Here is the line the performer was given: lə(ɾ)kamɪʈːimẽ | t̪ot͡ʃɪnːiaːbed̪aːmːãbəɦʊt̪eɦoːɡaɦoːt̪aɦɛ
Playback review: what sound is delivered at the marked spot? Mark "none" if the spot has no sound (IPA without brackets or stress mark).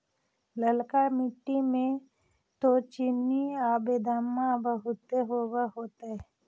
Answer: l